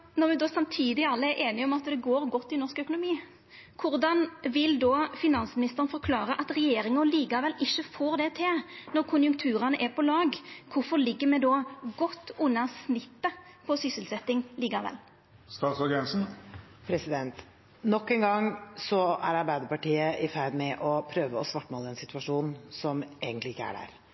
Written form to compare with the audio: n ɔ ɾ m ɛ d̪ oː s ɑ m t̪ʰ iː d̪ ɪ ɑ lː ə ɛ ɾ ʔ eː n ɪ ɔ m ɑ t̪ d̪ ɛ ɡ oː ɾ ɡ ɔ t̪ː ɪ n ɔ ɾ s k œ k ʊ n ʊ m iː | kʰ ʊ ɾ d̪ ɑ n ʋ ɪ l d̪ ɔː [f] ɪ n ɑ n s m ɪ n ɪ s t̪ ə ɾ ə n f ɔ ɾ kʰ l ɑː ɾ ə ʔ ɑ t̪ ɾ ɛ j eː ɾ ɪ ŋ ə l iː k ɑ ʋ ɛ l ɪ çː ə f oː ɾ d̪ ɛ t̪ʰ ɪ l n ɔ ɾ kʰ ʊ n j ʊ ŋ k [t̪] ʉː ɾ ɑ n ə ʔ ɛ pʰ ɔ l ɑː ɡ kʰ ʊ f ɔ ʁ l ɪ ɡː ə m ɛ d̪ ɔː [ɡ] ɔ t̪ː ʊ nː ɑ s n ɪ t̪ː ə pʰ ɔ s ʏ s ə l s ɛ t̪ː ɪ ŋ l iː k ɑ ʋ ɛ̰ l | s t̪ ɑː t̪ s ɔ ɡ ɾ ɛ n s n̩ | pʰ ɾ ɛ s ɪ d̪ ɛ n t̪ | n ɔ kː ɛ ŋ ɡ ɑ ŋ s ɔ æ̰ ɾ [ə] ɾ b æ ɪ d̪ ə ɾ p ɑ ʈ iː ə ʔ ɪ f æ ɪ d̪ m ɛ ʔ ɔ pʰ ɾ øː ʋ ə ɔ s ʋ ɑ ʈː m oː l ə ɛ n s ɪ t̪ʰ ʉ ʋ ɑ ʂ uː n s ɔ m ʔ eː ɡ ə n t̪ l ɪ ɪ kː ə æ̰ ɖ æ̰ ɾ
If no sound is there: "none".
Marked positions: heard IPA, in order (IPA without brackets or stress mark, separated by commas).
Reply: f, t̪ʰ, ɡ, ɑ